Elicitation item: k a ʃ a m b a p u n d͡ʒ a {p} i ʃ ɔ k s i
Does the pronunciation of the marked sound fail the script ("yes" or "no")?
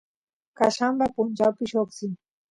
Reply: no